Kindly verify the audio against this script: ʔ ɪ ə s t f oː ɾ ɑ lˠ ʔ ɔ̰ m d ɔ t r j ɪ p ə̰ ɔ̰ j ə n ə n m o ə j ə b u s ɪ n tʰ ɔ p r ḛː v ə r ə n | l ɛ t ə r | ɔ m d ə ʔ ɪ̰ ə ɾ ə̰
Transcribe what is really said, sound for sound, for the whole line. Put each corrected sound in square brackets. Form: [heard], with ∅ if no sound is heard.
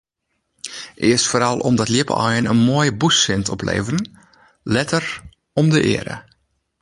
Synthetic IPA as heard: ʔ ɪ ə s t f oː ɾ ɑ lˠ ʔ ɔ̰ m d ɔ t [l] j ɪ p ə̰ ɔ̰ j ə n ə n m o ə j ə b u s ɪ n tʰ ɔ p [l] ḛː v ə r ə n | l ɛ t ə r | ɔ m d ə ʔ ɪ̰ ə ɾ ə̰